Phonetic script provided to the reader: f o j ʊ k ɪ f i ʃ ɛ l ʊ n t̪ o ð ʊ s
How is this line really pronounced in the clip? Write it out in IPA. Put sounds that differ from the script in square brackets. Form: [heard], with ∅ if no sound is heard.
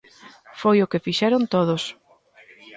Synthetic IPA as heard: f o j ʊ k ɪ f i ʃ ɛ [ɾ] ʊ n t̪ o ð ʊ s